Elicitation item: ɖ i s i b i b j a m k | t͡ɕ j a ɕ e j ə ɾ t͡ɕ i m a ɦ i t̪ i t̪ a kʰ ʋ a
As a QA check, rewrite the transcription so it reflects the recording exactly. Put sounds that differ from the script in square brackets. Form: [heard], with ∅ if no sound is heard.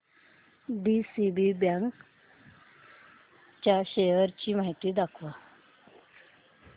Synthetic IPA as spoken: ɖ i s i b i b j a [ŋ] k | t͡ɕ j a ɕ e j ə ɾ t͡ɕ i m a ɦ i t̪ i [d̪] a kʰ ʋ a